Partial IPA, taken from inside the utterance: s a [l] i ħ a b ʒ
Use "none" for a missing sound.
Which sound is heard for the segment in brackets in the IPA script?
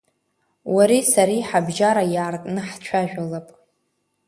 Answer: ɾ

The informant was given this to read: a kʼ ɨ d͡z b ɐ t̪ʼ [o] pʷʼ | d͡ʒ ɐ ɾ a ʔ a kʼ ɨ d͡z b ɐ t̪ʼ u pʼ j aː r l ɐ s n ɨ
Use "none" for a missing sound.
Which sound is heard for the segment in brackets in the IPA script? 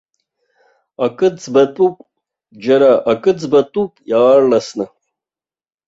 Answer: u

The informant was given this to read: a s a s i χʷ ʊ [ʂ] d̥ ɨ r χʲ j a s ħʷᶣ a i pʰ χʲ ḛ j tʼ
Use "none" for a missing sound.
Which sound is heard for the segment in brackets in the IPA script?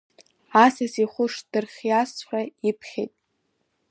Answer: ʂ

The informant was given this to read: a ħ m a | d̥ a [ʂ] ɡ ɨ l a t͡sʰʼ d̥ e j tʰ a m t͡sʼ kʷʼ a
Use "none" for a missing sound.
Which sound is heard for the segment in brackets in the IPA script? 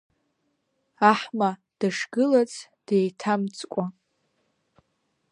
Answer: ʂ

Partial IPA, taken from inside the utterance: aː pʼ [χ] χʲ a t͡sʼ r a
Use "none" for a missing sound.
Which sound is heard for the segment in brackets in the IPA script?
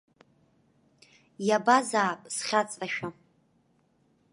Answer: s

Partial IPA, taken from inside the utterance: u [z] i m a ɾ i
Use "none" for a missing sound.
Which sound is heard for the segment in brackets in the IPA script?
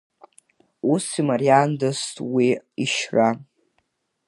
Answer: s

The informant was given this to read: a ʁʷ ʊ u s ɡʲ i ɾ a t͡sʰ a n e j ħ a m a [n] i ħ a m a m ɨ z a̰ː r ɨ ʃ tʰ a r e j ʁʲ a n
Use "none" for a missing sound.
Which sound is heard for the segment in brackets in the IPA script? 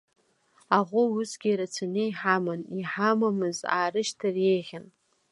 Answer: n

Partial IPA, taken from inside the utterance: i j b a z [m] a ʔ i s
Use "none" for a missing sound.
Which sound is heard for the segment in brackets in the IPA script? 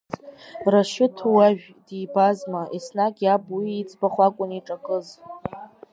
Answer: m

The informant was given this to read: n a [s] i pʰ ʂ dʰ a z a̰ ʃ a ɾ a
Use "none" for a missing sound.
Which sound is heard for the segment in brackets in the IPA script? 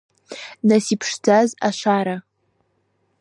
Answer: s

